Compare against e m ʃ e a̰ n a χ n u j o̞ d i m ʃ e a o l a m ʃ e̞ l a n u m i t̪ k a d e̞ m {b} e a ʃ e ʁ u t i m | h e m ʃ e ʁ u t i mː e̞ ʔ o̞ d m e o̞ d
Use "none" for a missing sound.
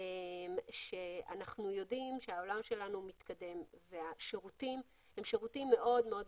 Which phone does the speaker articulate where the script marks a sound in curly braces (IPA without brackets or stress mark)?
v